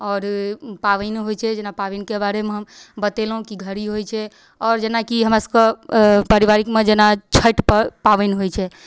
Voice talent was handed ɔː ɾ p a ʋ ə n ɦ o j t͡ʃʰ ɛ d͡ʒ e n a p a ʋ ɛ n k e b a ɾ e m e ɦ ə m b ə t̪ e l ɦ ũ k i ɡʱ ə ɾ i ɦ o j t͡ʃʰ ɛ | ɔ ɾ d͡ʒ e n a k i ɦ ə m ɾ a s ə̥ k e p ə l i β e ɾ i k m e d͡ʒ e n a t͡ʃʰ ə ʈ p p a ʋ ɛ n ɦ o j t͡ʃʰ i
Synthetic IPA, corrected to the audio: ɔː ɾ p a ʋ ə n ɦ o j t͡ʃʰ ɛ d͡ʒ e n a p a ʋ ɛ n k e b a ɾ e m e ɦ ə m b ə t̪ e l ɦ ũ k i ɡʱ ə ɾ i ɦ o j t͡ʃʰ ɛ | ɔ ɾ d͡ʒ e n a k i ɦ ə m ɾ a s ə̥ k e p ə ɾ i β a ɾ i k m e d͡ʒ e n a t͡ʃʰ ə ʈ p p a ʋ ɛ n ɦ o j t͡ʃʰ ɛ